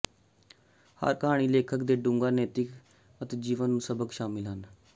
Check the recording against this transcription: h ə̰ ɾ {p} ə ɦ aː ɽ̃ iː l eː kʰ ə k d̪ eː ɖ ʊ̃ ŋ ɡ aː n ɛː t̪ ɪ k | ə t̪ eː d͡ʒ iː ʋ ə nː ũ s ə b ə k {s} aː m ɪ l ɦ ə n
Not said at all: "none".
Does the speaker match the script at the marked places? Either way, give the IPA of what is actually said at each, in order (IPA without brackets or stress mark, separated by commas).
k, ʃ